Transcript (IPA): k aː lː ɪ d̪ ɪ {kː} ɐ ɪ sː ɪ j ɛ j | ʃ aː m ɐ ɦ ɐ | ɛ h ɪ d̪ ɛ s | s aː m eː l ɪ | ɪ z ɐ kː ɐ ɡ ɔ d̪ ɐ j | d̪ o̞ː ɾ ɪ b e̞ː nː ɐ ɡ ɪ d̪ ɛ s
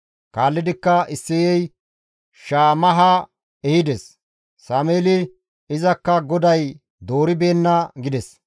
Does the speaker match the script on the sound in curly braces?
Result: yes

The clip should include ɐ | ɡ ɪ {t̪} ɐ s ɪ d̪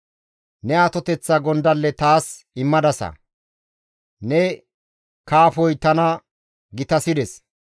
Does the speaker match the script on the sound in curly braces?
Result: yes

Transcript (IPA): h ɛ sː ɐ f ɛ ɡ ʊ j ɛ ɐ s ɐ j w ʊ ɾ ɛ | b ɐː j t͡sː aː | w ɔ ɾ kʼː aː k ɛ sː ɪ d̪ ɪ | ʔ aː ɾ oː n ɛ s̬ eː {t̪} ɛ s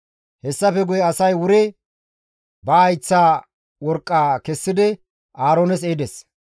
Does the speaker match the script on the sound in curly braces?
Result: no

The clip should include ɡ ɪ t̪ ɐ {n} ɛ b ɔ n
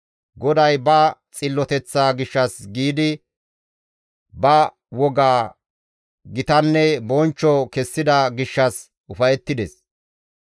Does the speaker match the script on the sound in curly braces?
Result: no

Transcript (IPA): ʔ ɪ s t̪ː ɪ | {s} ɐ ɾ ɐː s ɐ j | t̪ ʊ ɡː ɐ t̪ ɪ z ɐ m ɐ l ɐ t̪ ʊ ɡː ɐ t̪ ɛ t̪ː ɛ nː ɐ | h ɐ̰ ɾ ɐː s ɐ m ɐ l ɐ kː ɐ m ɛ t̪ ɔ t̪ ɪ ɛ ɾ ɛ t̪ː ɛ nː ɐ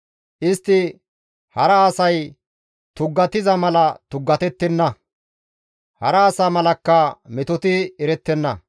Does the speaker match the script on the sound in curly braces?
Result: no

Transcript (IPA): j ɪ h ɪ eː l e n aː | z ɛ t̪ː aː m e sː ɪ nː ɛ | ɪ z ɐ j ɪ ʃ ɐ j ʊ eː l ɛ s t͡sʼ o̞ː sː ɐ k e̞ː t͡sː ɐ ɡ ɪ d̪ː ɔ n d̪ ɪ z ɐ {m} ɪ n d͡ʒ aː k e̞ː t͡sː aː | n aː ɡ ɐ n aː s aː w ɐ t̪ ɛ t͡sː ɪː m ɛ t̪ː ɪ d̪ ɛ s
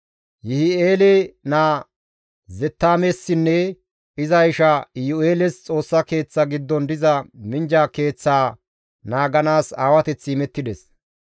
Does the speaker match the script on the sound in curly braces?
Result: yes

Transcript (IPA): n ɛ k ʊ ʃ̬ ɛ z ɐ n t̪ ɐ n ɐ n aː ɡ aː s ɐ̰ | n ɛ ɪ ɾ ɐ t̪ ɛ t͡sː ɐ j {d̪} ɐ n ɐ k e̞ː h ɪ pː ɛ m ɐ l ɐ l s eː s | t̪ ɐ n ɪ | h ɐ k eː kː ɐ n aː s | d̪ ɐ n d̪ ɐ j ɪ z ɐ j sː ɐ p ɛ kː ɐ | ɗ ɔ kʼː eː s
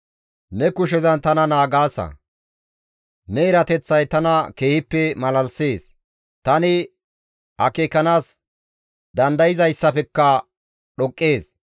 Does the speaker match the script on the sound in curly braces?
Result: no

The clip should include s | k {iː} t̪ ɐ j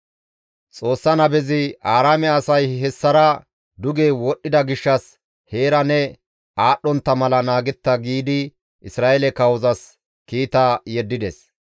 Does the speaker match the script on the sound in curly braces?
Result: yes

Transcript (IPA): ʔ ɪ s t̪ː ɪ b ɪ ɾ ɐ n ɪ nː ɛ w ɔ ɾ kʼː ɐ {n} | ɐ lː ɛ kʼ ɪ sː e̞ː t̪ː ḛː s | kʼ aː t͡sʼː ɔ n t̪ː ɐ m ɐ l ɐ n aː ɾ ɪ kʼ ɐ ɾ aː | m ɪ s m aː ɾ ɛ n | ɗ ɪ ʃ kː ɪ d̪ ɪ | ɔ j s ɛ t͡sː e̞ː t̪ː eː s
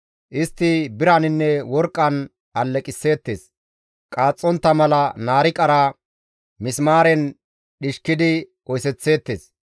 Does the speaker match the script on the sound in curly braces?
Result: yes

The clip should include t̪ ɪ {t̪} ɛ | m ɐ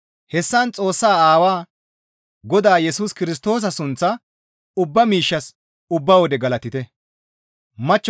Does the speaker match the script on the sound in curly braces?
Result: yes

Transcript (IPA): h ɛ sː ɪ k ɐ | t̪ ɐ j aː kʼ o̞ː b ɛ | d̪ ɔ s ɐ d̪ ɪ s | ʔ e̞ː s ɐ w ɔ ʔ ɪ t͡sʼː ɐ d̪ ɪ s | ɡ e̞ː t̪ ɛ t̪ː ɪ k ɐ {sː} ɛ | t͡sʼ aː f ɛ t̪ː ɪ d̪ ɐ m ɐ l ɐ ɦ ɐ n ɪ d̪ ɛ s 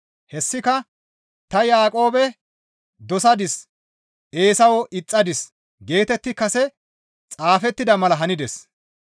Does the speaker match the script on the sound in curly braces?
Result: no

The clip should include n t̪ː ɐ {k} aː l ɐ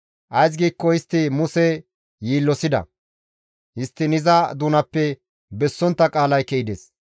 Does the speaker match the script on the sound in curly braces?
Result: no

